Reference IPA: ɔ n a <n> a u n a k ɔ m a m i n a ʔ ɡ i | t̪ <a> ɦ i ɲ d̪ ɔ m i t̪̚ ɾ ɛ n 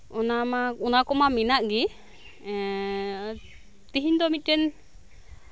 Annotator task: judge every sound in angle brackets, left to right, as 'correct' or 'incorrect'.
incorrect, incorrect

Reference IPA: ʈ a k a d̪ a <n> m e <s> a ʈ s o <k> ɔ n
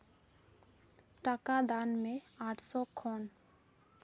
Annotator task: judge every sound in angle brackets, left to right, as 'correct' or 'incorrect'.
correct, incorrect, incorrect

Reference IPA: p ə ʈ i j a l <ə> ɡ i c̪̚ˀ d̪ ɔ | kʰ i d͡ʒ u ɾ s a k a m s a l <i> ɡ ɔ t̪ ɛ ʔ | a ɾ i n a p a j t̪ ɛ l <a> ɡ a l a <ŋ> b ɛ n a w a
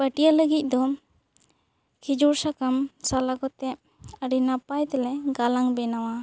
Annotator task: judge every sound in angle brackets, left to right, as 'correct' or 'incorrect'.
correct, incorrect, incorrect, correct

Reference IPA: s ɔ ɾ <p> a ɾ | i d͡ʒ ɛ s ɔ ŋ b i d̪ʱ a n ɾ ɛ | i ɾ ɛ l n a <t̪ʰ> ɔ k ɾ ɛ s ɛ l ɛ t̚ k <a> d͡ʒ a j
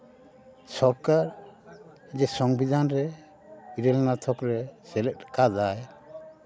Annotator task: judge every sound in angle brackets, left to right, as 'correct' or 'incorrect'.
incorrect, correct, correct

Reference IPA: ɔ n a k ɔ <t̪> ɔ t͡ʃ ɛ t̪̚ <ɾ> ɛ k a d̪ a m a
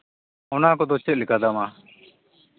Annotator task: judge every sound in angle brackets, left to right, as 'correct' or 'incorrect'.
incorrect, incorrect

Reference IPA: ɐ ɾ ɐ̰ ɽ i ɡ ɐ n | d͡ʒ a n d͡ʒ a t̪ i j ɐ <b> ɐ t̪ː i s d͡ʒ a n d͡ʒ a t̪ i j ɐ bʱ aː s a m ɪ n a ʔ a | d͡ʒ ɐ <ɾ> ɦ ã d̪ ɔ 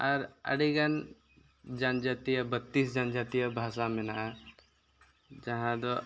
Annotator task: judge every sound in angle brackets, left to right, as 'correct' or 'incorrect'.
correct, incorrect

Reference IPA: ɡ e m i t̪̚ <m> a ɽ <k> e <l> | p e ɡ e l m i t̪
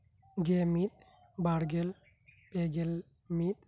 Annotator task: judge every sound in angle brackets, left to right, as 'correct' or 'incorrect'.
incorrect, incorrect, correct

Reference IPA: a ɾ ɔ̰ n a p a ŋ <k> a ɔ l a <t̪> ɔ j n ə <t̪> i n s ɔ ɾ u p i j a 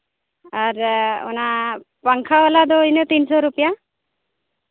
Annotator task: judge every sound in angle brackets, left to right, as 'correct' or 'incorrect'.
incorrect, incorrect, correct

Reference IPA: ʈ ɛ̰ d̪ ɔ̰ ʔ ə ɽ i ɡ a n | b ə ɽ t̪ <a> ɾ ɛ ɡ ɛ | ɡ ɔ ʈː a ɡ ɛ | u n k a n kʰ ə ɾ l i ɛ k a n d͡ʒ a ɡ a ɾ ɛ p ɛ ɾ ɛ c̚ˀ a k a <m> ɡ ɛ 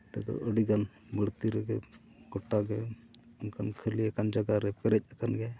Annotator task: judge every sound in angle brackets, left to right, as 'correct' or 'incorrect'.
incorrect, incorrect

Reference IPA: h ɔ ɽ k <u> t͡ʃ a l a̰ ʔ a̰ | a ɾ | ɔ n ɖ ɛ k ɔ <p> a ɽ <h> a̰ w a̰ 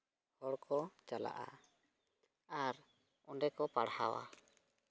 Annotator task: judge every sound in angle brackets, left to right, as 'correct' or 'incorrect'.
incorrect, correct, correct

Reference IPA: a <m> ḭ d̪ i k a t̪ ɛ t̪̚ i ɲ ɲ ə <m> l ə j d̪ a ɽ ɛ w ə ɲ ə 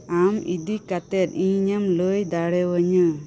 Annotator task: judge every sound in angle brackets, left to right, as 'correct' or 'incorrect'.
correct, correct

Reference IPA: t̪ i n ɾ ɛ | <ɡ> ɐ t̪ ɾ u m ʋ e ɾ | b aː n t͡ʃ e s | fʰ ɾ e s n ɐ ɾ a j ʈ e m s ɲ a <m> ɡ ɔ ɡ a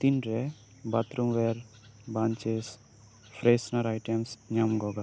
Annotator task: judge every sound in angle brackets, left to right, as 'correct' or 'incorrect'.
incorrect, correct

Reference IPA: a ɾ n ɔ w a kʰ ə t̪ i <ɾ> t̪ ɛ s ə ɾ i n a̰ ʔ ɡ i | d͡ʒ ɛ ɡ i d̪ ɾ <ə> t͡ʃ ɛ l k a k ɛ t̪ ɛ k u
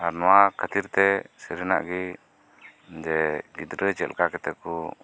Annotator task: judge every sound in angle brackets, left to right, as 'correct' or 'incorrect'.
correct, correct

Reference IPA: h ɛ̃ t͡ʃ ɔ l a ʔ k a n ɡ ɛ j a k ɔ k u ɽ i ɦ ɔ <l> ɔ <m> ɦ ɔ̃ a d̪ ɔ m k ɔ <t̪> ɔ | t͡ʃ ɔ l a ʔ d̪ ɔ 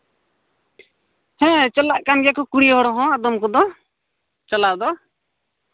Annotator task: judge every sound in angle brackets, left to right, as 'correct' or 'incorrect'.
incorrect, incorrect, incorrect

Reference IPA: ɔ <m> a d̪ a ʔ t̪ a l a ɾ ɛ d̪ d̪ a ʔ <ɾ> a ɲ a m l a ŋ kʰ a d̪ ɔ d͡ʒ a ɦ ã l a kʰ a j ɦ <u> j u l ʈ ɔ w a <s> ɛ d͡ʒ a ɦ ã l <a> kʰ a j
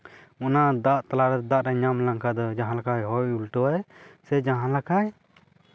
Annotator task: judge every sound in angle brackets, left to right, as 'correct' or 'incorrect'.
incorrect, correct, incorrect, correct, correct

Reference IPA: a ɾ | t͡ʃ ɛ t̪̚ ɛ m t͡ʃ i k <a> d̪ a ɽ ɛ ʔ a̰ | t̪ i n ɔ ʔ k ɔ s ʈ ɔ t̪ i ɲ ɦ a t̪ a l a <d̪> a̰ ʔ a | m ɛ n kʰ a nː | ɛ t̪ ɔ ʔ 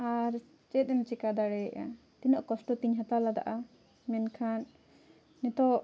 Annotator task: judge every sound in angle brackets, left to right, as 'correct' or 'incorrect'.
correct, correct

